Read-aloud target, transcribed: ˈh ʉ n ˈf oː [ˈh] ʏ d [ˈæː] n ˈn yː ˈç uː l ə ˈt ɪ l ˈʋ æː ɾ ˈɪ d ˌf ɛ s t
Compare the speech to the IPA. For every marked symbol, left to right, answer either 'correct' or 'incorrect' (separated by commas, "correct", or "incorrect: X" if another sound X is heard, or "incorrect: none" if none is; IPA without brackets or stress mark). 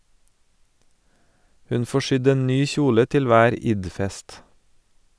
incorrect: ʃ, incorrect: eː